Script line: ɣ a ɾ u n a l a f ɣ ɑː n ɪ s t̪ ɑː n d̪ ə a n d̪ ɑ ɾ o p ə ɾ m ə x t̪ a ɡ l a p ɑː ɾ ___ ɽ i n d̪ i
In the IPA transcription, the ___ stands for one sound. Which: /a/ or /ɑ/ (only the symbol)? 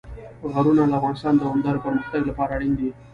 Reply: a